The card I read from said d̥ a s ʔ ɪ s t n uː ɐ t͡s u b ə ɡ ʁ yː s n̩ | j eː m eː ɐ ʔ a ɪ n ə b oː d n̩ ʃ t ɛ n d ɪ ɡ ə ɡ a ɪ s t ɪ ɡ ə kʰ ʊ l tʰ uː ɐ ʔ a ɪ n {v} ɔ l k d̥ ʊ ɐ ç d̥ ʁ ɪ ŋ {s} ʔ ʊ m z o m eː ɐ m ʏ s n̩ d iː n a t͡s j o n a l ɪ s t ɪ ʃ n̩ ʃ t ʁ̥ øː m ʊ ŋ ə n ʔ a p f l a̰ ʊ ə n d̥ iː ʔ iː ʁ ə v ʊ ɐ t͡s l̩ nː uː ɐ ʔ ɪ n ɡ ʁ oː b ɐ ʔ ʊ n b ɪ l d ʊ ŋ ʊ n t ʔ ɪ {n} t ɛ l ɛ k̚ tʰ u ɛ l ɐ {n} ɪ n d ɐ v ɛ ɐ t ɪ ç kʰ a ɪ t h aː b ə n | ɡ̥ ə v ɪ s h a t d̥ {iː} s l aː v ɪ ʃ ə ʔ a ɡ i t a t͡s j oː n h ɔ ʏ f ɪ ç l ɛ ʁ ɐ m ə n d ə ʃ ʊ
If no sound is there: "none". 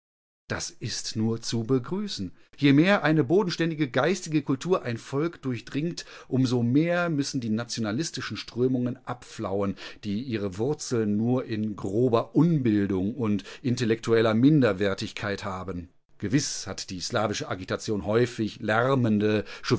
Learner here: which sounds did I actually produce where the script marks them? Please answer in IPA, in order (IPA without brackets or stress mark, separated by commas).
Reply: f, t, n, m, iː